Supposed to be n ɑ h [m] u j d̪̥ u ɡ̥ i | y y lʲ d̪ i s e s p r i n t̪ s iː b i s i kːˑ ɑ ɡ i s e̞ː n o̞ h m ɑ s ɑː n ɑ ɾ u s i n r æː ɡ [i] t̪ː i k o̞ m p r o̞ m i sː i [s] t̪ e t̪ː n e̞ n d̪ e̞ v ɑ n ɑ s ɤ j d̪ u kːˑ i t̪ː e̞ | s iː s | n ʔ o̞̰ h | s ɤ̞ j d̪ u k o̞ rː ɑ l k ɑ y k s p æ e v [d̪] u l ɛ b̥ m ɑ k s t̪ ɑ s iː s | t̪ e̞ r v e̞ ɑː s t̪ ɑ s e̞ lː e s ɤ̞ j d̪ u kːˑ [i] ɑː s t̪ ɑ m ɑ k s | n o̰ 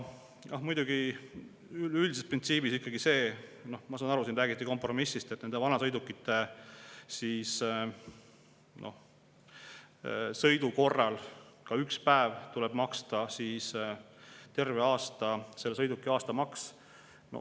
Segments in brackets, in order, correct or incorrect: correct, correct, correct, incorrect, correct

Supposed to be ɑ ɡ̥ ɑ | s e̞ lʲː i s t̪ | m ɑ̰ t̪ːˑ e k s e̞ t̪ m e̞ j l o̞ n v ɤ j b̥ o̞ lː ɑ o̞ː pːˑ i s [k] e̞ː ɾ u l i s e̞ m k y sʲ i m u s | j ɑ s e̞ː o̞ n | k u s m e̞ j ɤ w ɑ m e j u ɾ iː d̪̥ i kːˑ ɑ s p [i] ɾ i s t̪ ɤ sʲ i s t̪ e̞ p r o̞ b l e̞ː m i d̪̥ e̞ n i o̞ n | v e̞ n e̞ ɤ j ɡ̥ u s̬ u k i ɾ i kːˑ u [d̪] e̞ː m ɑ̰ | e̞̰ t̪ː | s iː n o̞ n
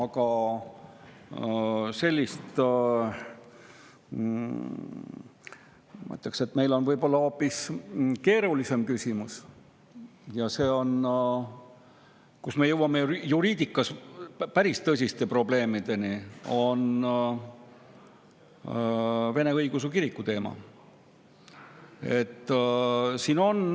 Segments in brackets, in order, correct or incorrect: correct, incorrect, incorrect

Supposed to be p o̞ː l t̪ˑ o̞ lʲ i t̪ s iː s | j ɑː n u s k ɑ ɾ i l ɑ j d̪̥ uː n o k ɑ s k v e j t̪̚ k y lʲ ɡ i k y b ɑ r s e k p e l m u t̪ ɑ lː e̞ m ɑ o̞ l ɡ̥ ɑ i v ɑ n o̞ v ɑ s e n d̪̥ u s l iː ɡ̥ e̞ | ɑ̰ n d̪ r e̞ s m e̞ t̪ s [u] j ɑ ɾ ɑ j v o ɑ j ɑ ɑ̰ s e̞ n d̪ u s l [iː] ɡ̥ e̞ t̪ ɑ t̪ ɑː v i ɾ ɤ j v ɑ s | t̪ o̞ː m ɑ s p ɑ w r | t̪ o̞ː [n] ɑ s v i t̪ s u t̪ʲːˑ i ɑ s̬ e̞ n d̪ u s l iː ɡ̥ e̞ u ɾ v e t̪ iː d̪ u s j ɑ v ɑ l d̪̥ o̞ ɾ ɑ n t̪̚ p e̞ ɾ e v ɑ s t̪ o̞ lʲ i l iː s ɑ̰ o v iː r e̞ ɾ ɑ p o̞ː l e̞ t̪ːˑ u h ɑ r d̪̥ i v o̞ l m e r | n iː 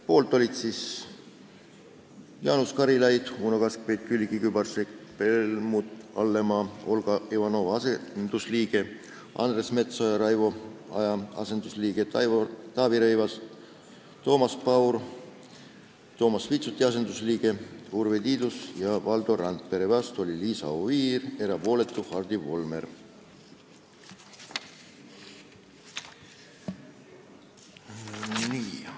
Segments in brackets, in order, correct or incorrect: incorrect, correct, incorrect

